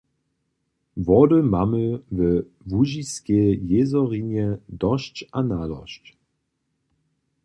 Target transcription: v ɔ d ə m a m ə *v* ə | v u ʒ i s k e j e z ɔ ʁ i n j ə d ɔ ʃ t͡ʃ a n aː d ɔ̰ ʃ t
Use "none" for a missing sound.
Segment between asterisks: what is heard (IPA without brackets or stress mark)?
v